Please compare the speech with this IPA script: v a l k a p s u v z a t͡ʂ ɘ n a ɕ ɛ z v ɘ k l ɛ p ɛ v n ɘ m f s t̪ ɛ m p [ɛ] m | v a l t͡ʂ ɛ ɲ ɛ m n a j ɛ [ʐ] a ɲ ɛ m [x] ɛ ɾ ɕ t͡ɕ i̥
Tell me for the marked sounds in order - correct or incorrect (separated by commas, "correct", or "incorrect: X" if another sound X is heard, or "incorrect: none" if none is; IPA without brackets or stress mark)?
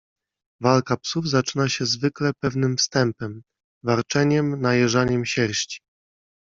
correct, correct, incorrect: ɕ